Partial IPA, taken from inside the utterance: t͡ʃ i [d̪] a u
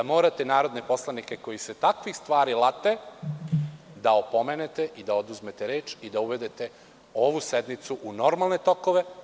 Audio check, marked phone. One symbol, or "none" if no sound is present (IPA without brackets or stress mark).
d̪